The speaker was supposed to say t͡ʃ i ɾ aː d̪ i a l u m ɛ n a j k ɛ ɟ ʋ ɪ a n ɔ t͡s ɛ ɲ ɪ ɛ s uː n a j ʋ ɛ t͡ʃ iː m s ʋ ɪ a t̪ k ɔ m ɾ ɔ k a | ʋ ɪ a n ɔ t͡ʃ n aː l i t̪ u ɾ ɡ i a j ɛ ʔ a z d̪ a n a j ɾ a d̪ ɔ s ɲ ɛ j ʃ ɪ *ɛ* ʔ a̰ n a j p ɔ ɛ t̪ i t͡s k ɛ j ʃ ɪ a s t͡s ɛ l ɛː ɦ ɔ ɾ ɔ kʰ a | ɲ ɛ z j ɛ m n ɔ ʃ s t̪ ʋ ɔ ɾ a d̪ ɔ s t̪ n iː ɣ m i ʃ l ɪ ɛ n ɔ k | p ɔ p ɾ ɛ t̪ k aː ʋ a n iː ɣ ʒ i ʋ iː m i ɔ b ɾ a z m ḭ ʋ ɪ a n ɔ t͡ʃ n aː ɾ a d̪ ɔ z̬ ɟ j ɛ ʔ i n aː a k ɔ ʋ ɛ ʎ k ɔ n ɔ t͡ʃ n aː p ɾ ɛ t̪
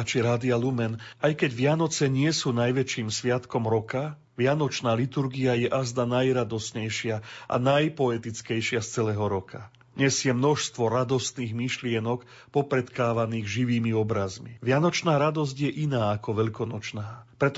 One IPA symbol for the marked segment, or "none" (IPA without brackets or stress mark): a